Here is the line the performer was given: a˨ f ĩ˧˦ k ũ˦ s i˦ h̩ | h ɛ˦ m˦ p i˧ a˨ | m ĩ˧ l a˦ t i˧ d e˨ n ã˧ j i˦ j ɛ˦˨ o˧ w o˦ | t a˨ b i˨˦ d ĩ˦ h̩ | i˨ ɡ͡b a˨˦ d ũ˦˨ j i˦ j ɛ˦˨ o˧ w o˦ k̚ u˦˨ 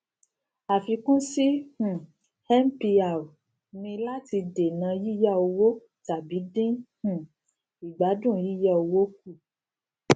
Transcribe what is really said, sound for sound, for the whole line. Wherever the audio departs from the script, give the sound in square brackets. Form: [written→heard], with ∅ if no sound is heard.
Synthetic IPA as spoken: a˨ f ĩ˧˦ k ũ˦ s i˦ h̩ | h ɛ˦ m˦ p i˧ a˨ | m ĩ˧ l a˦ t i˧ d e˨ n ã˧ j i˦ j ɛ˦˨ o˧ w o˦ | t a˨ b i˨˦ d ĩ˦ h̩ | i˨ ɡ͡b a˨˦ d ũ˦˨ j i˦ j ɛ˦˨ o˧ w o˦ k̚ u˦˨